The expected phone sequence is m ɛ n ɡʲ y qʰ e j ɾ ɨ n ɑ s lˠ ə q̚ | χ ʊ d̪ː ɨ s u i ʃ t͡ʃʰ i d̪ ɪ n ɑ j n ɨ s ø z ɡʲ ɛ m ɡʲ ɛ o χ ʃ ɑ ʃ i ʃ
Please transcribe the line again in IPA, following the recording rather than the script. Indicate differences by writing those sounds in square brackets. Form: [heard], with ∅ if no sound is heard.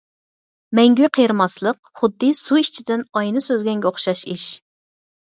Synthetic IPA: m ɛ [ŋ] ɡʲ y qʰ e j ɾ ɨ [m] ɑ s lˠ ə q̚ | χ ʊ d̪ː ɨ s u i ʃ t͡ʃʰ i d̪ ɪ n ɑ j n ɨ s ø z ɡʲ ɛ [ŋ] ɡʲ ɛ o χ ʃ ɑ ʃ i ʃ